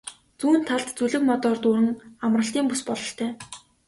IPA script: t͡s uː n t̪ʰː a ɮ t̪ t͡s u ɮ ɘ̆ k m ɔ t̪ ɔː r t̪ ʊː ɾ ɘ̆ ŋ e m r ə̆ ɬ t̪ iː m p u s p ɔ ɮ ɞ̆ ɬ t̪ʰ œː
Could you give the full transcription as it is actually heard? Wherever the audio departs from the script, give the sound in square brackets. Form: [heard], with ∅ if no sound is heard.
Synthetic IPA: t͡s uː n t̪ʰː a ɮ t̪ t͡s u ɮ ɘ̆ k m ɔ t̪ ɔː r t̪ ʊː ɾ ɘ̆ ŋ [a] m r ə̆ ɬ t̪ iː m p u s p ɔ ɮ ɞ̆ ɬ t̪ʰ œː